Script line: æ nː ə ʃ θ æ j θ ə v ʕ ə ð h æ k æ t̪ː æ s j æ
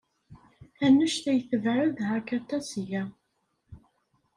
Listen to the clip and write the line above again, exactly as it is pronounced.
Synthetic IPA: æ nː ə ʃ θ æ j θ ə v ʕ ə ð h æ k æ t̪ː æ s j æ